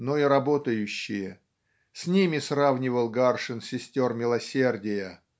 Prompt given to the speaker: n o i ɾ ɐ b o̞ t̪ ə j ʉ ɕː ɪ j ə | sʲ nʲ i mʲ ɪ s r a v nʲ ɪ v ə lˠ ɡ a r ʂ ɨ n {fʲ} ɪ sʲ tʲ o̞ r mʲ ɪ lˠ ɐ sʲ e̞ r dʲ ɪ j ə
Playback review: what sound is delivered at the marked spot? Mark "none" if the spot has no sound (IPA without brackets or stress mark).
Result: sʲ